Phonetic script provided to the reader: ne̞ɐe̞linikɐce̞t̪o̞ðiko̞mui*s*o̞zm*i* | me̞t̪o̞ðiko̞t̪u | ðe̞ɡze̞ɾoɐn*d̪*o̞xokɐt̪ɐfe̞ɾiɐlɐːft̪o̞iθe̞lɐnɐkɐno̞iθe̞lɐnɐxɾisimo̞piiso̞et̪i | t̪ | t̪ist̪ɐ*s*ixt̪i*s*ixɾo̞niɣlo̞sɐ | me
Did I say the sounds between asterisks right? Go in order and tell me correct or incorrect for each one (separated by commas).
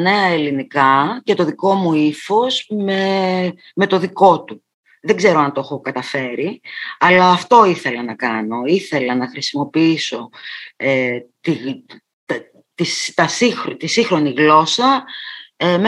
incorrect, incorrect, incorrect, correct, correct